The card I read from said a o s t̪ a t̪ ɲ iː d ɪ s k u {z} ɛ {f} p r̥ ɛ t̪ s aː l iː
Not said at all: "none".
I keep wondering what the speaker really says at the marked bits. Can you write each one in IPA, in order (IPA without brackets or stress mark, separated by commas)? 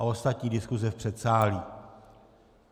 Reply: z, f